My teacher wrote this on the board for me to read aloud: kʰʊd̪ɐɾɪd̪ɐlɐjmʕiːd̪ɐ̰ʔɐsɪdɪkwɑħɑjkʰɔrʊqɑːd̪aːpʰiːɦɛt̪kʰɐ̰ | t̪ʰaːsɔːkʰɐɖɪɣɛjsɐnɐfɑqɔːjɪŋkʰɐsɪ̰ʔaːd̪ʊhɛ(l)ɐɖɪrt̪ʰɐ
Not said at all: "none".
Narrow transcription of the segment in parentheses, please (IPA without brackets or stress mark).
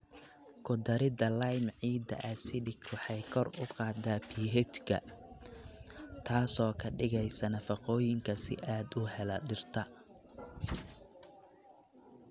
l